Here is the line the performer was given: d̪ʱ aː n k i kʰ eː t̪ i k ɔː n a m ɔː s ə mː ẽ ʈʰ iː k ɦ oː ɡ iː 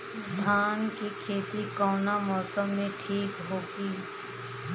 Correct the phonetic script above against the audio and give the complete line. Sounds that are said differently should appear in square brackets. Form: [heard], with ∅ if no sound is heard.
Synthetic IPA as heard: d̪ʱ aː n k i kʰ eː t̪ i k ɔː n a m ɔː s ə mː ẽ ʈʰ iː k ɦ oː ɡ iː